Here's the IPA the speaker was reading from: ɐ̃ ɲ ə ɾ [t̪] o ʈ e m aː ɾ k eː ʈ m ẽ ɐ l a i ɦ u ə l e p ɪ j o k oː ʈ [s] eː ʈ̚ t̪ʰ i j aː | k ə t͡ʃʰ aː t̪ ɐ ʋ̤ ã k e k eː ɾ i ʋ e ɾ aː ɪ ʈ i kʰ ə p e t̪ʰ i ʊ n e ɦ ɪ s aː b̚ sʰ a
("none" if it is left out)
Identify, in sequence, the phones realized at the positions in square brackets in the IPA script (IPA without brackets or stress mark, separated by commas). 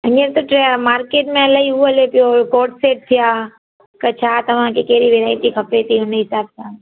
t̪, s